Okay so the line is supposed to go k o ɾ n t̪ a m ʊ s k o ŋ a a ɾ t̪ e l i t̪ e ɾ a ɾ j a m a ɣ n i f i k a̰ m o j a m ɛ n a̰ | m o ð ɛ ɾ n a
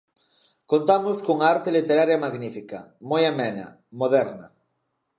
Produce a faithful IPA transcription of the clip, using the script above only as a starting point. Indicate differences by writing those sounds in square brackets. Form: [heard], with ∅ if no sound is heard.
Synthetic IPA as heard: k o [∅] n t̪ a m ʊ s k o ŋ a a ɾ t̪ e l i t̪ e ɾ a ɾ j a m a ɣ n i f i k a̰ m o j a m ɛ n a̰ | m o ð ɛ ɾ n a